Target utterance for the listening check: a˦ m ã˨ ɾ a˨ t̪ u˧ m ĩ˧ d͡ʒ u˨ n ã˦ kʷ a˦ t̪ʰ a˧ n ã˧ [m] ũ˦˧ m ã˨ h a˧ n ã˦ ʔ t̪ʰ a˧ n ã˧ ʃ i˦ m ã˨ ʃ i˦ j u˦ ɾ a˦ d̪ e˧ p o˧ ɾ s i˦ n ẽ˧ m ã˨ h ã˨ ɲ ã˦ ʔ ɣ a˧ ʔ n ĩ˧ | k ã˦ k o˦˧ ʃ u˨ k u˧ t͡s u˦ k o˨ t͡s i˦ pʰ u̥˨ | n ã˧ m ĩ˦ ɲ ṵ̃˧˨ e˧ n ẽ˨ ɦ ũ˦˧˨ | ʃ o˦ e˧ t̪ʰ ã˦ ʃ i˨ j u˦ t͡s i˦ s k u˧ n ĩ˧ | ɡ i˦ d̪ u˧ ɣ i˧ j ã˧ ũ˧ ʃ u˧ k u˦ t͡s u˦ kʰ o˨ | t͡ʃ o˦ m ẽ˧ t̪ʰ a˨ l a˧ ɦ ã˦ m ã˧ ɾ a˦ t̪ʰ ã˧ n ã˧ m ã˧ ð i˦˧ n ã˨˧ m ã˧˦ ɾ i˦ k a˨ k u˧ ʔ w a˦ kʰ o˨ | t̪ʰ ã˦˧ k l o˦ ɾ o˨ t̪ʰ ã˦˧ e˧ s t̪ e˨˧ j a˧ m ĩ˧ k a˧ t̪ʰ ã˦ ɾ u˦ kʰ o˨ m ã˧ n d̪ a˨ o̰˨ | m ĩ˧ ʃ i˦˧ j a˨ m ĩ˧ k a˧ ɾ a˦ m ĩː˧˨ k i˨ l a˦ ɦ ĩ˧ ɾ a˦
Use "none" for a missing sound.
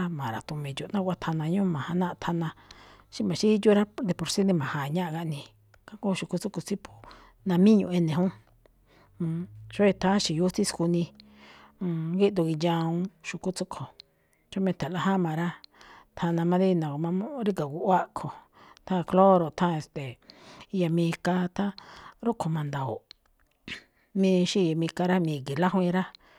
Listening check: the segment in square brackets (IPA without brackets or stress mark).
ɲ